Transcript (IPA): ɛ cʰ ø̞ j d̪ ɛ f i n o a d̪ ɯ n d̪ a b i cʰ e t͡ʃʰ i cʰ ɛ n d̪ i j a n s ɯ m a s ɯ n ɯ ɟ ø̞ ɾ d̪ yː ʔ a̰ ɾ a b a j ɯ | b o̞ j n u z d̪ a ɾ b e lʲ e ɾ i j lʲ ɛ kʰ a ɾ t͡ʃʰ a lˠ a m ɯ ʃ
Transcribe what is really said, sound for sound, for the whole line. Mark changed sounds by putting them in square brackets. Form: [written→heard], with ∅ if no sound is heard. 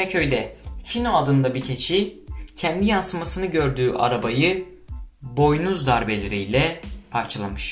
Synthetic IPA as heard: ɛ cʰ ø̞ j d̪ ɛ f i n o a d̪ ɯ n d̪ a b i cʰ e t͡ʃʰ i cʰ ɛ n d̪ i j a n s ɯ m a s ɯ n ɯ ɟ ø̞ ɾ d̪ yː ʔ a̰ ɾ a b a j ɯ | b o̞ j n u z d̪ a ɾ b e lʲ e ɾ i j lʲ ɛ [kʰ→pʰ] a ɾ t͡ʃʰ a lˠ a m ɯ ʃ